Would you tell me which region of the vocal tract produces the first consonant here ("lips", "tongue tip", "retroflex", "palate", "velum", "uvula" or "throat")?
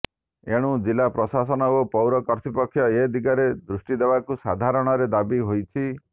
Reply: retroflex